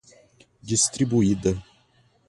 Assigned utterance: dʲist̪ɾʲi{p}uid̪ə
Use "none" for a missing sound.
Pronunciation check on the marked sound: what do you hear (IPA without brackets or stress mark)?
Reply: b